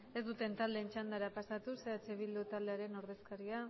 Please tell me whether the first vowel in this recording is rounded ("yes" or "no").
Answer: no